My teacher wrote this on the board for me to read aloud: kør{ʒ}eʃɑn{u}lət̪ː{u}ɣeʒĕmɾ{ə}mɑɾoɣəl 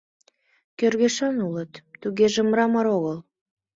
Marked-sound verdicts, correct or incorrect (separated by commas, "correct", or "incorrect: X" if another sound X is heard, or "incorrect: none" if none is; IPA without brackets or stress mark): incorrect: ɣ, correct, correct, incorrect: ɑ